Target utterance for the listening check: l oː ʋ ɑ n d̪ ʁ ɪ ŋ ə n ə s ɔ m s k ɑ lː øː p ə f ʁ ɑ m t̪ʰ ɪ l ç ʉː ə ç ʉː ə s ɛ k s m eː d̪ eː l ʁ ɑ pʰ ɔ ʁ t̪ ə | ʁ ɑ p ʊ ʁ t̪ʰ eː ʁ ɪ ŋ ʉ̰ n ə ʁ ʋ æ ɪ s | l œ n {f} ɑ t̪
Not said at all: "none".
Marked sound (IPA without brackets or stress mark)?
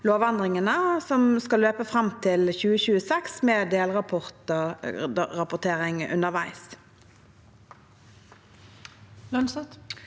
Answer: s